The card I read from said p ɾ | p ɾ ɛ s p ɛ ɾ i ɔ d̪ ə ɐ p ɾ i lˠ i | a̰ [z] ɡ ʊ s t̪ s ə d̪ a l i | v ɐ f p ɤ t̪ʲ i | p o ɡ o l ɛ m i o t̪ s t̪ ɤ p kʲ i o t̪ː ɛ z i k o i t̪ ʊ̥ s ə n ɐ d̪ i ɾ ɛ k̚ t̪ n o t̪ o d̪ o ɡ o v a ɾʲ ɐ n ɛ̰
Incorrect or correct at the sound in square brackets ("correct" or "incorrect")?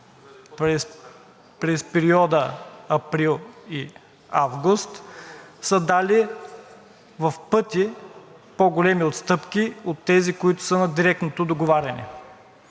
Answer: incorrect